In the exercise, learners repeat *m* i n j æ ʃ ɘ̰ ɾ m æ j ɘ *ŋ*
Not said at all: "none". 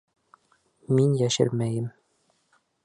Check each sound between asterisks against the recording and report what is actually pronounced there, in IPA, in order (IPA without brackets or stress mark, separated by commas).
m, m